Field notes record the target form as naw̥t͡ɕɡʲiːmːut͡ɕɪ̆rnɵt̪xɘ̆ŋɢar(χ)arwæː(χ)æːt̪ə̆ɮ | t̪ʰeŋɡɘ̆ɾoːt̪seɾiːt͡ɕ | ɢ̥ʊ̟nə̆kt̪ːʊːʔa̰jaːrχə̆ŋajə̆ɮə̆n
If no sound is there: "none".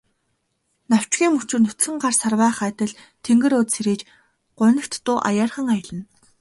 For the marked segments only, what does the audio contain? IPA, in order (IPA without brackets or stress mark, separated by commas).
s, χ